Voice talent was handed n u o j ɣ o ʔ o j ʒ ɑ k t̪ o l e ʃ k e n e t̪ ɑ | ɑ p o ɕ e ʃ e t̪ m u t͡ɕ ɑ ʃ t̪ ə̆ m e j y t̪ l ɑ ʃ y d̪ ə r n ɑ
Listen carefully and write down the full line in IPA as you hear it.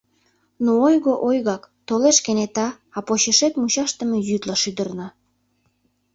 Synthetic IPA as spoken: n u o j ɣ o ʔ o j ɣ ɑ k t̪ o l e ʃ k e n e t̪ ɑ | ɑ p o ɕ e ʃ e t̪ m u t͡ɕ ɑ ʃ t̪ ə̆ m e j y t̪ l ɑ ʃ y d̪ ə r n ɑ